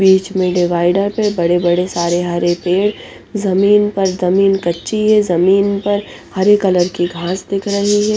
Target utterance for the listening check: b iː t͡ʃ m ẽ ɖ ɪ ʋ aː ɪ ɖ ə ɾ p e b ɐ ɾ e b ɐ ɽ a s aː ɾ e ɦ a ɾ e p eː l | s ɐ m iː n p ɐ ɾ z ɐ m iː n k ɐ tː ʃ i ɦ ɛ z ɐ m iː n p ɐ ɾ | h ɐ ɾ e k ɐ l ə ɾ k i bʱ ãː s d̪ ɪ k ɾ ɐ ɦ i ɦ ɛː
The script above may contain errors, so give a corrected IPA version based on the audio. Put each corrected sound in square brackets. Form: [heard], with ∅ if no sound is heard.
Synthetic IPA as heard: b iː t͡ʃ m ẽ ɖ ɪ ʋ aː ɪ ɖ ə ɾ p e b ɐ [ɽ] e b ɐ ɽ [e] s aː ɾ e ɦ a ɾ e p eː [ɽ] | [z] ɐ m iː n p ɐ ɾ z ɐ m iː n k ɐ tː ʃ i ɦ ɛ z ɐ m iː n p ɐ ɾ | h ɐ ɾ e k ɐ l ə ɾ k i [ɡʱ] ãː s d̪ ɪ [kʰ] ɾ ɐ ɦ i ɦ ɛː